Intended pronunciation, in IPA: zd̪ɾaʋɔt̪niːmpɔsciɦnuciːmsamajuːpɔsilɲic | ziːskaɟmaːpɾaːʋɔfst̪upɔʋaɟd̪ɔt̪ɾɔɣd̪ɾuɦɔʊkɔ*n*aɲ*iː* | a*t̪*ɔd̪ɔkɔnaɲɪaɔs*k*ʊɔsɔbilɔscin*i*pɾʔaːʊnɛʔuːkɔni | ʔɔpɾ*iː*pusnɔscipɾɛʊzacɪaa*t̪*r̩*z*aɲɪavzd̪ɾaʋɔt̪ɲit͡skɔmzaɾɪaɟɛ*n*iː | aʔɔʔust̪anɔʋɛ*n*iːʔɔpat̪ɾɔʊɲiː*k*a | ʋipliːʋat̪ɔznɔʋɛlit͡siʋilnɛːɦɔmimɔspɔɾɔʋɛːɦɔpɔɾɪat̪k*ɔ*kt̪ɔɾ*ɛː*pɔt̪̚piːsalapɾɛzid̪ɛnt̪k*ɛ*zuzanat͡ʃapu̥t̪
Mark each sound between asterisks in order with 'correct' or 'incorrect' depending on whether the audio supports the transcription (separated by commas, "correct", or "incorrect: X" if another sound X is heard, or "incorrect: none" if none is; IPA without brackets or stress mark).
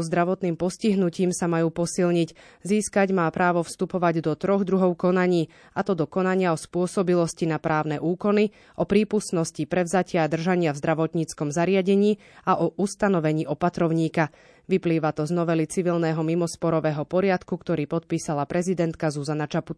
correct, correct, correct, incorrect: p, incorrect: a, correct, incorrect: d̪, incorrect: ʒ, incorrect: ɲ, incorrect: ɲ, correct, incorrect: u, incorrect: iː, incorrect: a